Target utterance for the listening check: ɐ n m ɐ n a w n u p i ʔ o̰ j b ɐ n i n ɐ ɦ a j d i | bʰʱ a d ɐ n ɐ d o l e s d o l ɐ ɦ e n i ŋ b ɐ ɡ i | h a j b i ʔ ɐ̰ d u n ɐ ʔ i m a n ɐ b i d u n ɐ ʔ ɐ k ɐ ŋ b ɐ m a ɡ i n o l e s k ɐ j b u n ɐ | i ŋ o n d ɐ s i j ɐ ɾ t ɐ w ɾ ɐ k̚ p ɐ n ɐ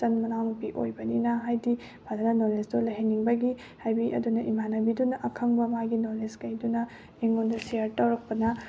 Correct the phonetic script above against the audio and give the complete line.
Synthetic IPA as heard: ɐ n m ɐ n a w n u p i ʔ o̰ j b ɐ n i n ɐ ɦ a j d i | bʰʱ a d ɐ n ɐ n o l e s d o l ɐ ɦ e n i ŋ b ɐ ɡ i | h a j b i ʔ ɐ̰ d u n ɐ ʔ i m a n ɐ b i d u n ɐ ʔ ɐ kʰ ɐ ŋ b ɐ m a ɡ i n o l e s k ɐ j d u n ɐ | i ŋ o n d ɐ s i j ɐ ɾ t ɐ w ɾ ɐ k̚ p ɐ n ɐ